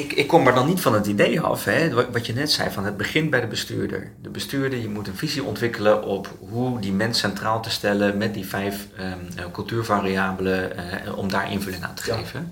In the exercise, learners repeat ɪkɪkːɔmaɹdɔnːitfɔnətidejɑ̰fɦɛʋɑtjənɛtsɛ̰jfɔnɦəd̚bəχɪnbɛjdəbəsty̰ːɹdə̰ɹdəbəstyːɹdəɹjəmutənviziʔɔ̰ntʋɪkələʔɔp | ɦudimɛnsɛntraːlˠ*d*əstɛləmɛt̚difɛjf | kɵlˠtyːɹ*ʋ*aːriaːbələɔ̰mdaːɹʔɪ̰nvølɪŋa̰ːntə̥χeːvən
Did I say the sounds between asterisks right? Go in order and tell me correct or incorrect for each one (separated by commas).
incorrect, incorrect